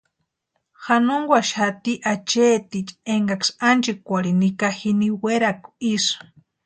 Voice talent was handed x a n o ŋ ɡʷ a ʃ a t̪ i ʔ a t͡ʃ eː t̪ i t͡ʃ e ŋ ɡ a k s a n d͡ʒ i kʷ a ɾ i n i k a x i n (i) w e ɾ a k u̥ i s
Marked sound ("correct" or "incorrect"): correct